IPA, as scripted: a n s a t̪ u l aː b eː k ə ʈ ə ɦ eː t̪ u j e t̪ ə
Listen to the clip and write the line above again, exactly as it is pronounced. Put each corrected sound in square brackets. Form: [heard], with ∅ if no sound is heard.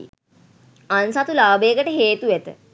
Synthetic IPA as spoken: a n s a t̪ u l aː b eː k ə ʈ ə ɦ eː t̪ u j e t̪ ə